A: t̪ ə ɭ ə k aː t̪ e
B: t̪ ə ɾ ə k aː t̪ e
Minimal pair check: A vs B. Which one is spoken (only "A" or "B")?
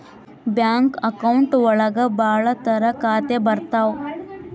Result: B